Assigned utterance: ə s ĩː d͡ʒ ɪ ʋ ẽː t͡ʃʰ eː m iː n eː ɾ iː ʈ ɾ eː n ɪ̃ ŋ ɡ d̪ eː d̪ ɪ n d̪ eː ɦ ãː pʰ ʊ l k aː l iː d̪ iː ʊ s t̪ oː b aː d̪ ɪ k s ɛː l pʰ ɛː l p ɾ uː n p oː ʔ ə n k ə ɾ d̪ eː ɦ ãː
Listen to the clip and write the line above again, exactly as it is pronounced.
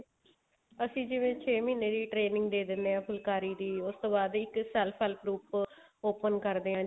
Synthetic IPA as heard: ə s ĩː d͡ʒ ɪ ʋ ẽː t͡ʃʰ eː m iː n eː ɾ iː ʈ ɾ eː n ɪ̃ ŋ ɡ d̪ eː d̪ ɪ n d̪ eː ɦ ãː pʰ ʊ l k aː ɾ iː d̪ iː ʊ s t̪ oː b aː d̪ ɪ k s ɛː l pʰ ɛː l p ɾ uː p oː p ə n k ə ɾ d̪ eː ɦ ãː